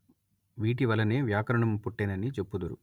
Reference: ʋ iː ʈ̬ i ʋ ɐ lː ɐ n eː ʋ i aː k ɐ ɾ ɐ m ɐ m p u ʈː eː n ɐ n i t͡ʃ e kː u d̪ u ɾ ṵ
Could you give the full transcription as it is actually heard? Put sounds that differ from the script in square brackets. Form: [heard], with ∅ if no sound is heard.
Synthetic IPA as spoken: ʋ iː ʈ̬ i ʋ ɐ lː ɐ n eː ʋ [j] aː k ɐ ɾ ɐ [ɳ] ɐ m p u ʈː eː n ɐ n i t͡ʃ e [pː] u d̪ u ɾ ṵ